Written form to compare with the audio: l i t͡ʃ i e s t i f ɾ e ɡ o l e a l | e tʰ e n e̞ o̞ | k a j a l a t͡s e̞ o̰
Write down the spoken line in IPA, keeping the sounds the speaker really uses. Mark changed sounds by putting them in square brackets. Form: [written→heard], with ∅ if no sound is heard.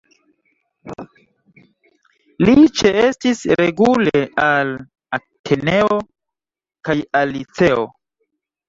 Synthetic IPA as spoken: l i t͡ʃ [i→e] e s t i [f→s] ɾ e ɡ [o→u] l e a l | [e→a] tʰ e n e̞ o̞ | k a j a l [a→i] t͡s e̞ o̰